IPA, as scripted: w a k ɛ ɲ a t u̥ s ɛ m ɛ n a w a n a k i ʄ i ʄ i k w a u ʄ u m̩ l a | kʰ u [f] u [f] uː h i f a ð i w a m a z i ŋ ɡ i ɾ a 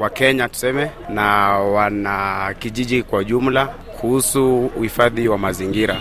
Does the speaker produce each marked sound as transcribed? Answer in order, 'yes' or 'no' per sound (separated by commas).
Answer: no, no